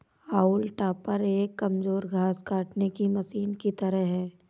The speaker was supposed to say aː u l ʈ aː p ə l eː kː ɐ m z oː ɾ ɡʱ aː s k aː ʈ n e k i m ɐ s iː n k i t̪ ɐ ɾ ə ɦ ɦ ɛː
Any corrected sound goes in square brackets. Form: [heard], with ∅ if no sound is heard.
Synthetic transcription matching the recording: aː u l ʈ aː p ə [ɾ] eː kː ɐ m z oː ɾ ɡʱ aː s k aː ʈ n e k i m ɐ s iː n k i t̪ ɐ ɾ ə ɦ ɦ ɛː